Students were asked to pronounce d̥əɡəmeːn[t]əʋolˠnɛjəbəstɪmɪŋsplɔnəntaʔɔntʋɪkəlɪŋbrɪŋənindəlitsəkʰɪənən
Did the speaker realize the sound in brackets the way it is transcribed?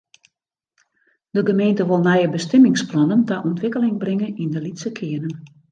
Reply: yes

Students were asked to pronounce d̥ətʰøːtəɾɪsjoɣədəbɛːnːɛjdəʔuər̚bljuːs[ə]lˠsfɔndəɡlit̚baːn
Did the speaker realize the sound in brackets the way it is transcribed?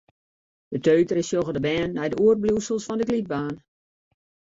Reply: yes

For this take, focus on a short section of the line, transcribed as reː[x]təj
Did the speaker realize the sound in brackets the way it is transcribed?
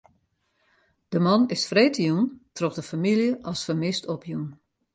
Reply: no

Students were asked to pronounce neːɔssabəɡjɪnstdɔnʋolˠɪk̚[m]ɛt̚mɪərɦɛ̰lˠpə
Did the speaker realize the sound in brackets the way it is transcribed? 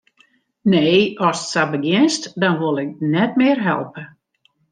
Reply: no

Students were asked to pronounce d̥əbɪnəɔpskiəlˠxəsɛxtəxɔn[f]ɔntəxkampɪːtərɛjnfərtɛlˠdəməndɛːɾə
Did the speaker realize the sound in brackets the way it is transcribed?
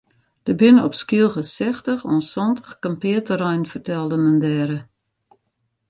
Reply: no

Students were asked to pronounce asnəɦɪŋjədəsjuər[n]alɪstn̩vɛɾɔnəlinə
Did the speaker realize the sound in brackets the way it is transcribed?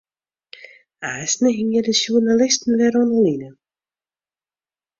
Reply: yes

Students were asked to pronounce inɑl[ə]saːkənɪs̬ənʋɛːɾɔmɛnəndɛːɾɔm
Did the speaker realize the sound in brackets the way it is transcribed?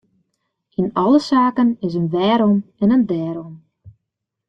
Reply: yes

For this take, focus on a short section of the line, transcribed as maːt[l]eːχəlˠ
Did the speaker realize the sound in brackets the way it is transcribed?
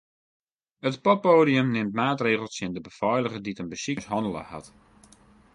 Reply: no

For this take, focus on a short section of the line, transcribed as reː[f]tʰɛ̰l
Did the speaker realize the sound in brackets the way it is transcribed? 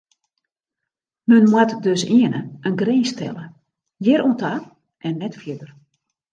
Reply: no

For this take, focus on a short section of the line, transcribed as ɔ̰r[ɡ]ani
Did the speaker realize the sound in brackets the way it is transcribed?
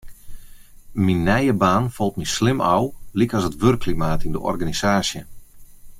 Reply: yes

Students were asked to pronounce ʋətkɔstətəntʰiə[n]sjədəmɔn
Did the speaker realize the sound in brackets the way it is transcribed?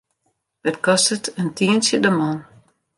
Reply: yes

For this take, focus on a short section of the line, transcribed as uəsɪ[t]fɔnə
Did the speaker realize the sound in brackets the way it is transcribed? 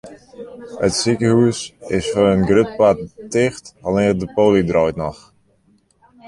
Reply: no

